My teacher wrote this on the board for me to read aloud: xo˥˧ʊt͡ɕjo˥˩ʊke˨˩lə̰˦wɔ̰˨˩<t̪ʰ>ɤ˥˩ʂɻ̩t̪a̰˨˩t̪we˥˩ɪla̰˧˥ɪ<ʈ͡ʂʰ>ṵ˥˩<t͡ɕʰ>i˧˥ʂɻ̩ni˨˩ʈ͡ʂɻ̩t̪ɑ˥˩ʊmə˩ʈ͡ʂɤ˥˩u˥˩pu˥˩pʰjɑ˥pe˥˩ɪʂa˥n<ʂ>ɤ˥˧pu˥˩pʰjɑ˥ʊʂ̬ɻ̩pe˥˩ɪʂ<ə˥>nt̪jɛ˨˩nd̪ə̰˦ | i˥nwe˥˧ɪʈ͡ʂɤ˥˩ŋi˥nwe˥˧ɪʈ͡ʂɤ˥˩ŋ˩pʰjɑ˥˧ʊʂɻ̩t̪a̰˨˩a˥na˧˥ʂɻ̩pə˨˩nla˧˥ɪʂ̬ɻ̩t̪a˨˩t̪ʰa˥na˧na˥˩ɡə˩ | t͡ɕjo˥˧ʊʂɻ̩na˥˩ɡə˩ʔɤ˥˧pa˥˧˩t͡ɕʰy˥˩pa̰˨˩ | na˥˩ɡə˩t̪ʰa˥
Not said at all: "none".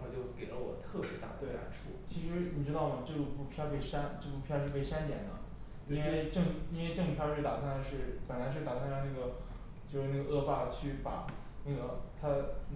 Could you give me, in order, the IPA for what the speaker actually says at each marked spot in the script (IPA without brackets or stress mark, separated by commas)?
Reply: t̪ʰ, ʈ͡ʂʰ, t͡ɕʰ, ʈ͡ʂ, a˥